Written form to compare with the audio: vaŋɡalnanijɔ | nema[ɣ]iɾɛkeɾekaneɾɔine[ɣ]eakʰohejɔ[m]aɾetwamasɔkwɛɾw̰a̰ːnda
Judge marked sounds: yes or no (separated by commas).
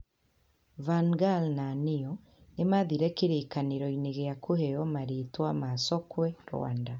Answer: no, yes, yes